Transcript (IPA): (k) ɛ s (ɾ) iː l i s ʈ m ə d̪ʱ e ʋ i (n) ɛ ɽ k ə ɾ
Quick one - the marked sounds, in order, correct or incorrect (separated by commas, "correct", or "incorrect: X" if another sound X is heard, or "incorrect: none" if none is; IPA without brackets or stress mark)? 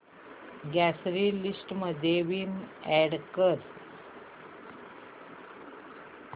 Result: incorrect: ɡ, correct, incorrect: m